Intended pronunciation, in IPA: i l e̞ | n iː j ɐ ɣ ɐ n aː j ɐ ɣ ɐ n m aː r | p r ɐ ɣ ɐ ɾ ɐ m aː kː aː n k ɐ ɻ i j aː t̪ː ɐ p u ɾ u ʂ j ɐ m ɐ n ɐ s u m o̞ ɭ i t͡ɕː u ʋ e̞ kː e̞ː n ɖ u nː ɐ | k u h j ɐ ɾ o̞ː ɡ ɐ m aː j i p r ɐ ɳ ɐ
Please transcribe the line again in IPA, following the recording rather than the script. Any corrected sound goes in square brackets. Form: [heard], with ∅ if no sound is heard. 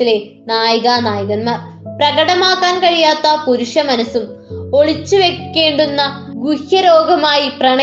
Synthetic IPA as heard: i l e̞ | n [aː] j ɐ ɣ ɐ n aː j ɐ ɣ ɐ n m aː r | p r ɐ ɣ ɐ [ɽ] ɐ m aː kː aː n k ɐ ɻ i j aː t̪ː ɐ p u ɾ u ʂ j ɐ m ɐ n ɐ s u m o̞ ɭ i t͡ɕː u ʋ e̞ kː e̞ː [ɳ] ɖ u nː ɐ | [ɡ] u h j ɐ ɾ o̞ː ɡ ɐ m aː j i p r ɐ ɳ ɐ